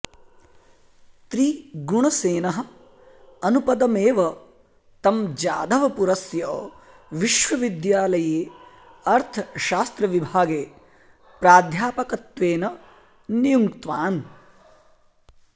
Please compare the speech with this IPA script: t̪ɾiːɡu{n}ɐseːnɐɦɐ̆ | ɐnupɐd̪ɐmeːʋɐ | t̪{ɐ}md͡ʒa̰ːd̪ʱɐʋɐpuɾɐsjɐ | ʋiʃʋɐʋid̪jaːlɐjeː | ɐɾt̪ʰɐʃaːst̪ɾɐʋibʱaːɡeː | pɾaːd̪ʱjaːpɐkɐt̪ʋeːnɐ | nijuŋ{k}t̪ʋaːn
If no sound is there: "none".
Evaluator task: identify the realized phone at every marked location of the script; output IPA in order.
ɳ, ɐ, k

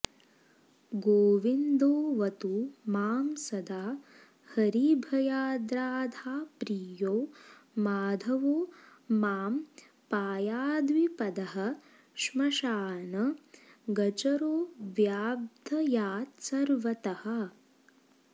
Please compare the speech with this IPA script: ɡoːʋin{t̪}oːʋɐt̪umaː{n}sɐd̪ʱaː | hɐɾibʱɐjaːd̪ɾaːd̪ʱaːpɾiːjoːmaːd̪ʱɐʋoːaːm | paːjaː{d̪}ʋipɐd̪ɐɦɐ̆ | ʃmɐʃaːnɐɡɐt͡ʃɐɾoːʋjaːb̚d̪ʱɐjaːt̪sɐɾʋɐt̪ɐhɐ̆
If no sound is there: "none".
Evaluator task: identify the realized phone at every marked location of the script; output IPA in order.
d̪, m, d̪

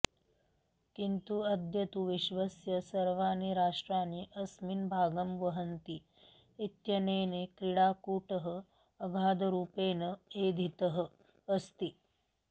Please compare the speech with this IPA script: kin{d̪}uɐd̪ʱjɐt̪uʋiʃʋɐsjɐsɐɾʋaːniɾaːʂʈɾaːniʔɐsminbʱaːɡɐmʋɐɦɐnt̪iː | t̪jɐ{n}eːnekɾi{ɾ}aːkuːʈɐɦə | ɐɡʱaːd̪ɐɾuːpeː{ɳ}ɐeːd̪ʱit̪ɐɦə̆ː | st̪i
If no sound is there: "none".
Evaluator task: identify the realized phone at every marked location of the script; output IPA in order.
t̪, n, ɽ, n

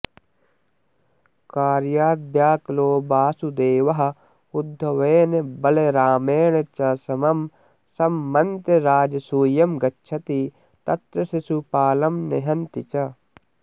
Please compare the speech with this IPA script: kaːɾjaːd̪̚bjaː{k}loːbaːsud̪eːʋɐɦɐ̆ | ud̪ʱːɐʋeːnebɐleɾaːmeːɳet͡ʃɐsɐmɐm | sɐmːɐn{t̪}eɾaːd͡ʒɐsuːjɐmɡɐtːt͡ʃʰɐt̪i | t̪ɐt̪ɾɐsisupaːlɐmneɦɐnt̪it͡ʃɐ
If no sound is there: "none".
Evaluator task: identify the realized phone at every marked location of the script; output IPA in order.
k, t̪

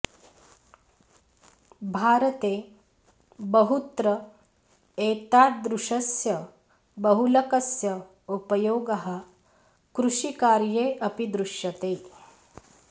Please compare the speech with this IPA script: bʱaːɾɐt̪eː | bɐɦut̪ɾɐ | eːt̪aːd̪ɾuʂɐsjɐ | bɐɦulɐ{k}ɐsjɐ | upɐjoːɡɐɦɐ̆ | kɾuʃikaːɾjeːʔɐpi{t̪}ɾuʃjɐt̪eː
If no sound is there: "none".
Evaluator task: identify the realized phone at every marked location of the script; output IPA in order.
k, d̪

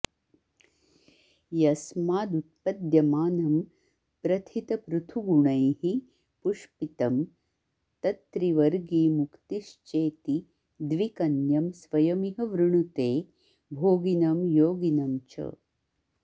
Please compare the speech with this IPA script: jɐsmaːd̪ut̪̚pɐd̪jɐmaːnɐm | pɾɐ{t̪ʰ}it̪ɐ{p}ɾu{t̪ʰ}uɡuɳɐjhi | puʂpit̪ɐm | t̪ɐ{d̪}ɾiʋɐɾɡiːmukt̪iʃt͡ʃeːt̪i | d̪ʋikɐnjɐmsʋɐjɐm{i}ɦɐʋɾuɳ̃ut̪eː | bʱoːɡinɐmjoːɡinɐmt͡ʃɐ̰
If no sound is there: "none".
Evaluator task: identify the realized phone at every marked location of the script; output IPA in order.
t̪ʰ, p, t̪ʰ, t̪, i

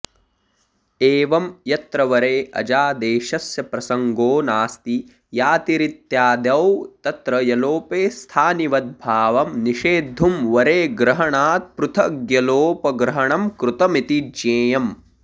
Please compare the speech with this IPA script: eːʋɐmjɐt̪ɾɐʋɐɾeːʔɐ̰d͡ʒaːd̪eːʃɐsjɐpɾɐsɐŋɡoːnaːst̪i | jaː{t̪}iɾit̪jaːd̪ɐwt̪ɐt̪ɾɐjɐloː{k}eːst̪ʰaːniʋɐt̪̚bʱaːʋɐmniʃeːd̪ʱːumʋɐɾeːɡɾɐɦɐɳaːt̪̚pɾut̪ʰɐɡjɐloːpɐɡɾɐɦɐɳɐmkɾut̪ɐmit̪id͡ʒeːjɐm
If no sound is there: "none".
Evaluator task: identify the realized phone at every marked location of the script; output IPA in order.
t̪, p

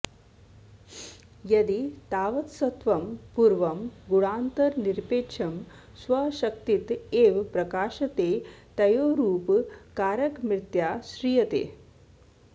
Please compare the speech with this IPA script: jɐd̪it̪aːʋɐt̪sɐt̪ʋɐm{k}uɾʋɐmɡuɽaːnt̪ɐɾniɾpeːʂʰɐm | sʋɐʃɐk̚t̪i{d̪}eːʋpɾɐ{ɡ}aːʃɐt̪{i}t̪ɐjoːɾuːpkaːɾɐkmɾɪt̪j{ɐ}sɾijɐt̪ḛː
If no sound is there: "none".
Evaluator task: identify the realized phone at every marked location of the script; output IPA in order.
p, t̪, k, e, a

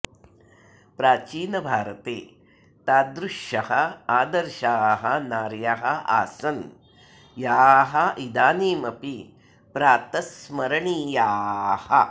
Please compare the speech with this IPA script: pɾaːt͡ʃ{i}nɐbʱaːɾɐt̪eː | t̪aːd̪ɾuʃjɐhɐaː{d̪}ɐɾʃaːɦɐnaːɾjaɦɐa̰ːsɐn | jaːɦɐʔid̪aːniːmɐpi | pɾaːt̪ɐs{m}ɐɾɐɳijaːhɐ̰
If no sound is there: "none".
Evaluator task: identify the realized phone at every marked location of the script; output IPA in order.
iː, d̪, m

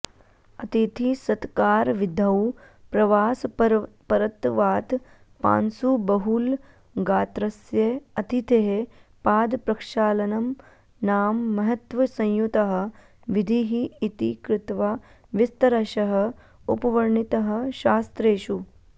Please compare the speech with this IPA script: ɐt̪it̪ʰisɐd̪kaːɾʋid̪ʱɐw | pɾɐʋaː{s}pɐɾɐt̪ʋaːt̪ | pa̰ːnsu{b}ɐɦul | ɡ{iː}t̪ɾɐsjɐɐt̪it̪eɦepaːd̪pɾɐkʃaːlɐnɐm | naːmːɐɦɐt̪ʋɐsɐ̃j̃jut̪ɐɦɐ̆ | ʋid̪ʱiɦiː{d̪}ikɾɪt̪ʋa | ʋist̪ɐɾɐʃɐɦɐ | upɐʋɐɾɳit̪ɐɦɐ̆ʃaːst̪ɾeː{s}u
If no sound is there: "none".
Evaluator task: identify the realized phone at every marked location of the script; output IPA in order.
s, b, aː, t̪, ʃ

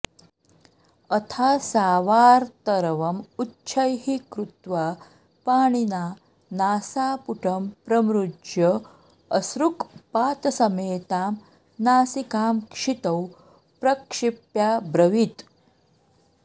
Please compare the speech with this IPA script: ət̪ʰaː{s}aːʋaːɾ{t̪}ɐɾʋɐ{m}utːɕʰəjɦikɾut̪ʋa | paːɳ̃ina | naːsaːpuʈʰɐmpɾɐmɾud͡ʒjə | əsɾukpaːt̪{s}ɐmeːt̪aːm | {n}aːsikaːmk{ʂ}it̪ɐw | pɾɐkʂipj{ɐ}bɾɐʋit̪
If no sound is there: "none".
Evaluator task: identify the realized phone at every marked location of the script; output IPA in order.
s, t̪, m, s, n, ʂ, a

